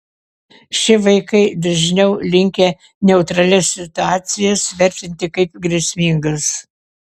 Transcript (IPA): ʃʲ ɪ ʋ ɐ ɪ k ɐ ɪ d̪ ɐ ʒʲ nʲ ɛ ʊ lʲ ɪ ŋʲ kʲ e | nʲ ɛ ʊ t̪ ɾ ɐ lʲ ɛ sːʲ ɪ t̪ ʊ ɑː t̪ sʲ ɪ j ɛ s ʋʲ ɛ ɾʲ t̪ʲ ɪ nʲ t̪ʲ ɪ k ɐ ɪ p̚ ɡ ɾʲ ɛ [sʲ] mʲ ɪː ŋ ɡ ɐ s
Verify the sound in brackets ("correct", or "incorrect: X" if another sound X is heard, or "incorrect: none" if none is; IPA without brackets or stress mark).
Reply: correct